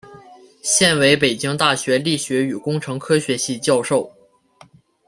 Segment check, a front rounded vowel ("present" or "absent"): present